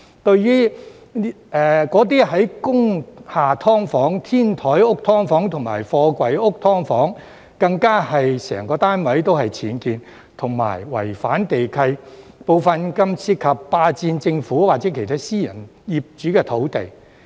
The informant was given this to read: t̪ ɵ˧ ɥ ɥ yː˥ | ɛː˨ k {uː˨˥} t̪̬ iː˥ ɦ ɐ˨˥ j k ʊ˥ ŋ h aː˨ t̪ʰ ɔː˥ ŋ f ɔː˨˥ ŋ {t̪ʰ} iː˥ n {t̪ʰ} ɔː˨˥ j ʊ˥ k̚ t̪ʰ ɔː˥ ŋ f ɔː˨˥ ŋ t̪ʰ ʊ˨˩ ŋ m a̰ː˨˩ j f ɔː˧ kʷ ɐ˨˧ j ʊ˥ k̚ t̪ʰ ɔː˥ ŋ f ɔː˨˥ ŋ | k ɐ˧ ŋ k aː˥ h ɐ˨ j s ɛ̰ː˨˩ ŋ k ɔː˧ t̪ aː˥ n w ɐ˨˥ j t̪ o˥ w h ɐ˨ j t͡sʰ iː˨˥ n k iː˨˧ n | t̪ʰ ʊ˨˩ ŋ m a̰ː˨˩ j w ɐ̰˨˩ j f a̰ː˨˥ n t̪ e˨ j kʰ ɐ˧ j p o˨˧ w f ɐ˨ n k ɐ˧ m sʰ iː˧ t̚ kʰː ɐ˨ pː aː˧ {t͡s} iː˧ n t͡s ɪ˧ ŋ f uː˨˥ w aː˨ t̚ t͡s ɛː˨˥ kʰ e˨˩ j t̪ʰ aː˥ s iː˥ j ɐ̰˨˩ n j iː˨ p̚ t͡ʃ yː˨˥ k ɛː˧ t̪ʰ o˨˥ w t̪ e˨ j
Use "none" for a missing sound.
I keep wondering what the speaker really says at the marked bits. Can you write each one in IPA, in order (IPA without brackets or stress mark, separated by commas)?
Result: ɔː˨˥, t̪ʰ, t̪ʰ, t͡s